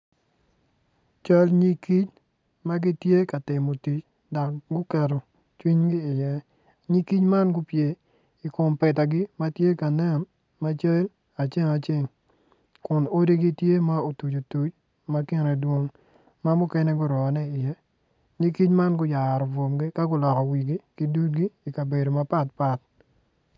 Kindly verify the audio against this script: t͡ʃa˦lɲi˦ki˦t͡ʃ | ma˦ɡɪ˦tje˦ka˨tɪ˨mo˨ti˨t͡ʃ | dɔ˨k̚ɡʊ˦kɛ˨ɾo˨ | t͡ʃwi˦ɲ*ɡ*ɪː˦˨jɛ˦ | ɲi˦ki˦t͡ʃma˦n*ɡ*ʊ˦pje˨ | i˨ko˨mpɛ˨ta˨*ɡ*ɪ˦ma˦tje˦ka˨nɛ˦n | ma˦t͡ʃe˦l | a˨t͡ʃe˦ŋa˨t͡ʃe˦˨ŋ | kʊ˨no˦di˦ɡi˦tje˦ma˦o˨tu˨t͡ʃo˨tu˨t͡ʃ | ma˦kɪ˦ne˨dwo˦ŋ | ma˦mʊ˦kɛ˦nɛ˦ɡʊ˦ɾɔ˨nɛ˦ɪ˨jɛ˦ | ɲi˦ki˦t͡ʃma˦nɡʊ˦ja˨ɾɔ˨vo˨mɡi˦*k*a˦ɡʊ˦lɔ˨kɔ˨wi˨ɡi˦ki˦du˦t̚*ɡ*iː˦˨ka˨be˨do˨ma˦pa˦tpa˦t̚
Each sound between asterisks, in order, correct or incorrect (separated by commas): correct, correct, correct, correct, correct